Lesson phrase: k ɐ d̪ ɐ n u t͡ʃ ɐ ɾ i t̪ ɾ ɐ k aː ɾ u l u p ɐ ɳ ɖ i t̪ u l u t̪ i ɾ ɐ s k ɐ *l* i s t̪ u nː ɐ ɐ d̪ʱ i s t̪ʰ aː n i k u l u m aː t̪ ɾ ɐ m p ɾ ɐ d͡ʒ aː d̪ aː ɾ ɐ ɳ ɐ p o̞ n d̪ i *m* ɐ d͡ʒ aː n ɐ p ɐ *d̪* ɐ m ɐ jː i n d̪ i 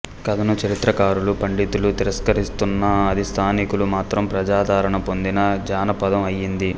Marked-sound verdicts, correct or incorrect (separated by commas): incorrect, incorrect, correct